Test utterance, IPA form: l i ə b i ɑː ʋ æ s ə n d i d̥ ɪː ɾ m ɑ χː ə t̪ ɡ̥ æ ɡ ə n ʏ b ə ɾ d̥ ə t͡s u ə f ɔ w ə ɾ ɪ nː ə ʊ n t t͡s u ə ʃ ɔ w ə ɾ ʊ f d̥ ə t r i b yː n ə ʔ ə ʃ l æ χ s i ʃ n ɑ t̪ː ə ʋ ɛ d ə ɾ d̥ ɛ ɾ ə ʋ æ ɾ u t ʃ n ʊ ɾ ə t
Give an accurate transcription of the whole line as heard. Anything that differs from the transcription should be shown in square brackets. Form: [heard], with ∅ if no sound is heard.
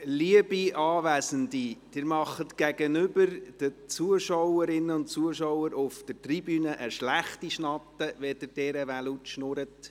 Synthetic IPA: l i ə b i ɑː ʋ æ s ə n d i d̥ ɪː ɾ m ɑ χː ə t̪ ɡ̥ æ ɡ ə n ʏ b ə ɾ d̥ ə t͡s u ə [ʃ] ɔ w ə ɾ ɪ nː ə ʊ n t t͡s u ə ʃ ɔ w ə ɾ ʊ f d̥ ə t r i b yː n ə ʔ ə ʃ l æ χ [t] i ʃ n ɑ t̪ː ə ʋ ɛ d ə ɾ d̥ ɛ ɾ ə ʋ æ [l] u t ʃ n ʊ ɾ ə t

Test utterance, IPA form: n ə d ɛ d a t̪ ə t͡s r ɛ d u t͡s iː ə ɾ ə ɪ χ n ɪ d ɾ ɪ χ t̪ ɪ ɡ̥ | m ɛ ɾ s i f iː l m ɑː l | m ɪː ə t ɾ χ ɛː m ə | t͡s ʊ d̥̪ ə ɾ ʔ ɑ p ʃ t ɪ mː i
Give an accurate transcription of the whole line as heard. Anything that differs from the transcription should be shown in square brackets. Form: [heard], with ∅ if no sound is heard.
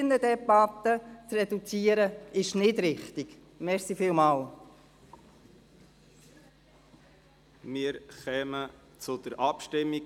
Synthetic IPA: n ə d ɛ [b] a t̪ ə t͡s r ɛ d u t͡s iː ə ɾ ə ɪ [ʃ] n ɪ d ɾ ɪ χ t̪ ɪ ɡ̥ | m ɛ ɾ s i f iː l m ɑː l | m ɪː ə [∅] ɾ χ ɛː m ə | t͡s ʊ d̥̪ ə ɾ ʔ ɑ p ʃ t ɪ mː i

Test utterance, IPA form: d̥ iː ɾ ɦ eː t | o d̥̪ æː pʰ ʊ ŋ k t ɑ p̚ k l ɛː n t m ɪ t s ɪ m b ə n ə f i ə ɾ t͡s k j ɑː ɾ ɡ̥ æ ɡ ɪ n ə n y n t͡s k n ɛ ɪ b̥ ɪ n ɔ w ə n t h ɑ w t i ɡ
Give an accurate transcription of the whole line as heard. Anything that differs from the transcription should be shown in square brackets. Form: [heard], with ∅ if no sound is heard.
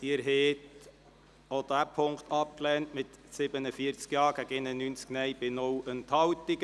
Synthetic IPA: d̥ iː ɾ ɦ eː t | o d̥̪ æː pʰ ʊ ŋ k t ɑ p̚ k l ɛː n t m ɪ t s ɪ [∅] b ə n ə f i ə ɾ t͡s k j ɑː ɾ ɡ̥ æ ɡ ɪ n ə n y n t͡s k n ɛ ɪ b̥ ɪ n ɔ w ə n t h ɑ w t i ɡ

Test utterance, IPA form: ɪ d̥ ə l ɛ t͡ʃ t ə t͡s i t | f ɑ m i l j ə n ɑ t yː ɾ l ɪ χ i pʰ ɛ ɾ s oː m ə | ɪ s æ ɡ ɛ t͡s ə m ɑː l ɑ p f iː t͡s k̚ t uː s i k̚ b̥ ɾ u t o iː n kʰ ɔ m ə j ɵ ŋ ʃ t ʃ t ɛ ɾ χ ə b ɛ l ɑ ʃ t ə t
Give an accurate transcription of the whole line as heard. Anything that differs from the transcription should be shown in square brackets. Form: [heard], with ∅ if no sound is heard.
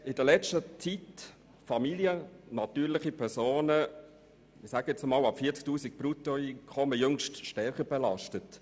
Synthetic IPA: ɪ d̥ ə l ɛ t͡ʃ t ə t͡s i t | f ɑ m i l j ə n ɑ t yː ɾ l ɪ χ i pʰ ɛ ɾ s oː [n] ə | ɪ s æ ɡ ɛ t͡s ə m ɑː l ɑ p f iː t͡s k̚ t uː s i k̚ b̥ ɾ u t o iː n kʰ ɔ m ə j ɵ ŋ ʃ t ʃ t ɛ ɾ χ ə b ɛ l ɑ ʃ t ə t

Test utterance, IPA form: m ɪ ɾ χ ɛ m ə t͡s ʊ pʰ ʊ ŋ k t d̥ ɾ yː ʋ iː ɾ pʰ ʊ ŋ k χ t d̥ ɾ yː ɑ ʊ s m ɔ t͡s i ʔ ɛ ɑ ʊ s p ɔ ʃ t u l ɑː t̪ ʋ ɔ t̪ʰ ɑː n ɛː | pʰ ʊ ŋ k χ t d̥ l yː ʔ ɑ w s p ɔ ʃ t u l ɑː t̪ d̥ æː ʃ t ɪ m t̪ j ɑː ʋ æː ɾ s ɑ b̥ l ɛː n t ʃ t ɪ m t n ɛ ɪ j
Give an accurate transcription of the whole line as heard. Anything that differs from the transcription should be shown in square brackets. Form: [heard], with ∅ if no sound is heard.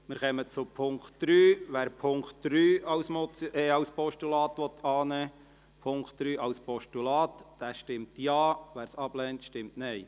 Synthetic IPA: m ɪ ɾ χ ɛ m ə t͡s ʊ pʰ ʊ ŋ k t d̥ ɾ yː ʋ [æː] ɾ pʰ ʊ ŋ k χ t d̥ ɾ yː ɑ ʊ s m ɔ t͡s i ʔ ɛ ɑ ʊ s p ɔ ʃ t u l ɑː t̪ ʋ ɔ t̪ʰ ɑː n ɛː | pʰ ʊ ŋ k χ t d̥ [ɾ] yː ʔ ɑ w s p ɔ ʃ t u l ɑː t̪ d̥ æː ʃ t ɪ m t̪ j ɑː ʋ æː ɾ s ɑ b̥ l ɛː n t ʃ t ɪ m t n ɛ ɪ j

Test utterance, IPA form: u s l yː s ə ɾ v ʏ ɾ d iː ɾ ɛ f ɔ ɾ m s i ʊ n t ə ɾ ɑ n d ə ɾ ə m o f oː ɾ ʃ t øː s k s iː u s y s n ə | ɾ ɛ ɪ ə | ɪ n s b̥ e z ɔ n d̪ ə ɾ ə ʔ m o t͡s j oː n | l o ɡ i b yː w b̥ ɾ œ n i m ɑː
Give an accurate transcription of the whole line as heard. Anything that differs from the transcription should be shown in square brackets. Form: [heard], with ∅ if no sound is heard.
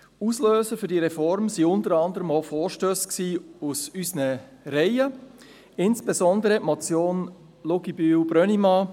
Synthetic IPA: u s l [øː] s ə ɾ [f] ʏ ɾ d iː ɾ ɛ f ɔ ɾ m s i ʊ n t ə ɾ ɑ n d ə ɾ ə m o f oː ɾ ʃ t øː s k s iː u s y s n ə | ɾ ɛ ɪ ə | ɪ n s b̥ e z ɔ n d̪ ə ɾ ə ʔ m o t͡s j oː n | l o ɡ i b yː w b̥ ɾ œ n i m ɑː

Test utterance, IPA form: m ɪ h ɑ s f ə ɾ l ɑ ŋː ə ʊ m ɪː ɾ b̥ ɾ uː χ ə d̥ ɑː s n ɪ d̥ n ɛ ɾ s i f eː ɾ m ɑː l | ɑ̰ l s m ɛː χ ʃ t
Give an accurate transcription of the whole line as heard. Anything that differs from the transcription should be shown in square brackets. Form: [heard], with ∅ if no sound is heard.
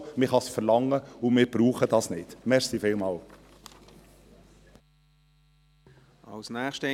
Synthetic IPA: m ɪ [χ] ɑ s f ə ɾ l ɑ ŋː ə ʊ m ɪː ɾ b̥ ɾ uː χ ə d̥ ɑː s n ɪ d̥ [m] ɛ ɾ s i f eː [l] m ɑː l | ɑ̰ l s [n] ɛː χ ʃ t

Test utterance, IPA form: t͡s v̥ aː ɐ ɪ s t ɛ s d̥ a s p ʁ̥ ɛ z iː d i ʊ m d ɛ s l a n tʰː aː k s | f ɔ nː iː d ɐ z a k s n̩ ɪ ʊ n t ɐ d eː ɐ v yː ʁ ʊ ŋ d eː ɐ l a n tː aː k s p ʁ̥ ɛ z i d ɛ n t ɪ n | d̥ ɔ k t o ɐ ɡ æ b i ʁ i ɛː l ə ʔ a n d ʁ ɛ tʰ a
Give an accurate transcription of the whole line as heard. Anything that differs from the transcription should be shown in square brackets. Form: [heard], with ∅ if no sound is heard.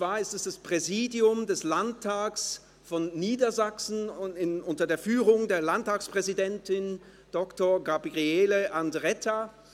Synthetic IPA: t͡s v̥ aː ɐ ɪ s t ɛ s d̥ a s p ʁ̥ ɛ z iː d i ʊ m d ɛ s l a n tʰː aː k s | f ɔ nː iː d ɐ z a k s n̩ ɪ ʊ n t ɐ d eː ɐ [f] yː ʁ ʊ ŋ d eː ɐ l a n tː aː k s p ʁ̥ ɛ z i d ɛ n t ɪ n | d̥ ɔ k t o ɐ ɡ [a] b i ʁ i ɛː l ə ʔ a n d ʁ ɛ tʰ a

